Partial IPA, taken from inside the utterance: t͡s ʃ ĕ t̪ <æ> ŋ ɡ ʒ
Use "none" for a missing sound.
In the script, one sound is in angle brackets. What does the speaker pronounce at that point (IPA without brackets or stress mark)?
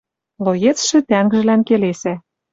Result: æ